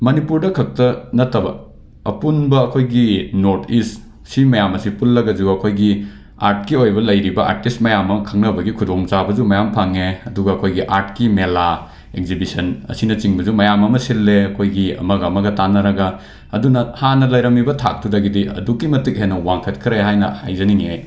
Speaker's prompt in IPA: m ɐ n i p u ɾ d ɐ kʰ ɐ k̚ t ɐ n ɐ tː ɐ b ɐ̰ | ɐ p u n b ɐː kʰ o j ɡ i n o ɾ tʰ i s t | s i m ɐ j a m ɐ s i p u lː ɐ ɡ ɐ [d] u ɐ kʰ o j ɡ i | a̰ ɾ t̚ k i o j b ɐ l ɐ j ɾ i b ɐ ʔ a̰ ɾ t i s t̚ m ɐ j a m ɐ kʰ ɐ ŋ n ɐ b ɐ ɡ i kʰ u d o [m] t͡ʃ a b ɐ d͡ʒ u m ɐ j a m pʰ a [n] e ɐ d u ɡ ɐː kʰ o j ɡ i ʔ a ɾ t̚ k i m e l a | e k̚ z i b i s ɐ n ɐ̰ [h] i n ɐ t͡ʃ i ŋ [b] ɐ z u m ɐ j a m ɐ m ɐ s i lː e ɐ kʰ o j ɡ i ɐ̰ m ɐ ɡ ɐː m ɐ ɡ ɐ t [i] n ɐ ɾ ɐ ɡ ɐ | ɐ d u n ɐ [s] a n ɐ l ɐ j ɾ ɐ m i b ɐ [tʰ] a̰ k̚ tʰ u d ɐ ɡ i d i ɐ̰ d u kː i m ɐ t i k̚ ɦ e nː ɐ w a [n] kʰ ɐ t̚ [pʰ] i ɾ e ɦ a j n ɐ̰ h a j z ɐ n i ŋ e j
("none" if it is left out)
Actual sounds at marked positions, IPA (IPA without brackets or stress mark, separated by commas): d͡ʒ, ŋ, ŋ, s, b, a, h, tʰ, ŋ, kʰ